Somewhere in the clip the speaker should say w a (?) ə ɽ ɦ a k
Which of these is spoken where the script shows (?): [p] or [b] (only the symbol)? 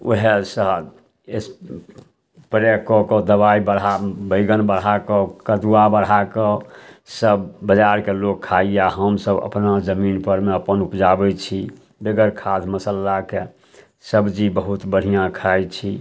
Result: b